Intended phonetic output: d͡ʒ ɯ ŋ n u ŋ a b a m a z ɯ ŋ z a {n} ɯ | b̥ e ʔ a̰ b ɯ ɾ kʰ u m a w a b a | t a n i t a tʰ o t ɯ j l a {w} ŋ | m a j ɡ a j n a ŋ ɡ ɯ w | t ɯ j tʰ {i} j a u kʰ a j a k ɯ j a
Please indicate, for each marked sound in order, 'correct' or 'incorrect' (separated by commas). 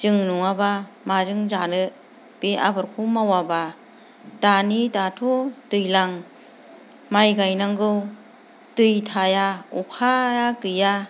correct, incorrect, incorrect